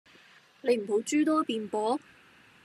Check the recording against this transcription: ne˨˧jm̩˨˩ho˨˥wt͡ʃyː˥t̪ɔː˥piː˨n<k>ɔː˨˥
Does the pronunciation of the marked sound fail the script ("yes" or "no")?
yes